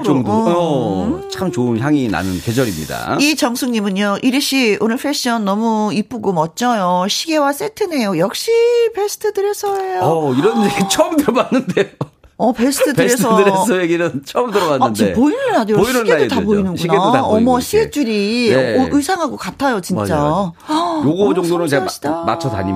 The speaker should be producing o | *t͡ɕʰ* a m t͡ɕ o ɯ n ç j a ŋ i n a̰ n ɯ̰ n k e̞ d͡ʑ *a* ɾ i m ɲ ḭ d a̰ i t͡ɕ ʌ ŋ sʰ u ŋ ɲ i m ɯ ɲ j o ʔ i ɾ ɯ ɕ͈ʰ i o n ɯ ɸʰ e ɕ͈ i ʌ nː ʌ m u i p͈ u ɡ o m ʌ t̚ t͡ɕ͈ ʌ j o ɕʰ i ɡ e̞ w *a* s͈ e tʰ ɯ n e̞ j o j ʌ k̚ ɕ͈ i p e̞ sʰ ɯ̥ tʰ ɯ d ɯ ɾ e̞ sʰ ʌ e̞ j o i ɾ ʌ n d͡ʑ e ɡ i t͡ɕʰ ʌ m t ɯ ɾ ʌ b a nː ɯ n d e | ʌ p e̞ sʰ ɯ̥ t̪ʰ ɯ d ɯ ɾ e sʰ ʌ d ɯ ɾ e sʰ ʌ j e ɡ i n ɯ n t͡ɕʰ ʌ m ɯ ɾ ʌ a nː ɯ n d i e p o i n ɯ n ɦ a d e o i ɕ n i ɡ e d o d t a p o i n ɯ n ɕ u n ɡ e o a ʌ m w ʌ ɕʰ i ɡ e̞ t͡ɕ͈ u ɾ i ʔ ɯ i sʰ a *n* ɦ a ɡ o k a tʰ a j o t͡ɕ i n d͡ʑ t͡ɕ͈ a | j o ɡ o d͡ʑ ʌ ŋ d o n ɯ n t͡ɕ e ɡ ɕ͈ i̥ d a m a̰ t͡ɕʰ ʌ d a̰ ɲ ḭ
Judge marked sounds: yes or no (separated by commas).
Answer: yes, no, yes, no